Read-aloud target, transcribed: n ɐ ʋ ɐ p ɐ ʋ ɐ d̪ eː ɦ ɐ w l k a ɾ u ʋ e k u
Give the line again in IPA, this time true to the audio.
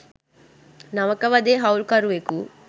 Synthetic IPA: n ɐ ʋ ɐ k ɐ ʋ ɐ d̪ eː ɦ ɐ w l k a ɾ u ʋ e k u